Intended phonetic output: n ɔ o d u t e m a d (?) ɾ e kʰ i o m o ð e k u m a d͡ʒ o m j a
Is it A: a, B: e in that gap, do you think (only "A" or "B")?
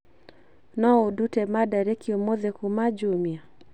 A